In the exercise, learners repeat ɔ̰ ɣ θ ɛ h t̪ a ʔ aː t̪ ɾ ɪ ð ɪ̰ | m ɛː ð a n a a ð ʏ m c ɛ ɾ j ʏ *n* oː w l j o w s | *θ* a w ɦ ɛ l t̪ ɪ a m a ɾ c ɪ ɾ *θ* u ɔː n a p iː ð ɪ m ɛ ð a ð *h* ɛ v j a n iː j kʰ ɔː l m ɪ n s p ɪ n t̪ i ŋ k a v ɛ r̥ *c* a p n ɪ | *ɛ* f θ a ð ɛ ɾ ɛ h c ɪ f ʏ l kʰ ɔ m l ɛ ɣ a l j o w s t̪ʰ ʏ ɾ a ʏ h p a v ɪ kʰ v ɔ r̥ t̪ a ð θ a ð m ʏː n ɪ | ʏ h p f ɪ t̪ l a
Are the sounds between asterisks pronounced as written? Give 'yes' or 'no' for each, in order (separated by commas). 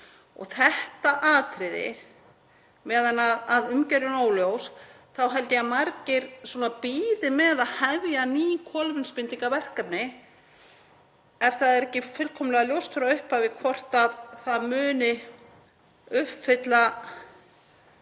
yes, yes, no, yes, no, yes